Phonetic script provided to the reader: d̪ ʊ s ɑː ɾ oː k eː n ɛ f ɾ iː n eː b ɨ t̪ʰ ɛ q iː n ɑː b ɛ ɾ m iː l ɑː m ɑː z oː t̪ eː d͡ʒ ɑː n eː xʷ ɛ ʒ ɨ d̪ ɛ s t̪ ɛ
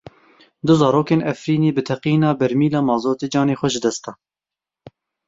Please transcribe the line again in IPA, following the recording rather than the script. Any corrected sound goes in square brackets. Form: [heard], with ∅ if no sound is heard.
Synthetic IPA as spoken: d̪ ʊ [z] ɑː ɾ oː k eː n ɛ f ɾ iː n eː b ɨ t̪ʰ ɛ q iː n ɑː b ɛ ɾ m iː l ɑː m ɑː z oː t̪ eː d͡ʒ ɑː n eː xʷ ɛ ʒ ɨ d̪ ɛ s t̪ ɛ